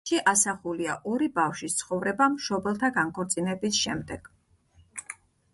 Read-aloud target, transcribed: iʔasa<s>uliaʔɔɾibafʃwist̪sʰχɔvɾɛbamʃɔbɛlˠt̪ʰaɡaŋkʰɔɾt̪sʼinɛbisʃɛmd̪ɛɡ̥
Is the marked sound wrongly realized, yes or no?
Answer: yes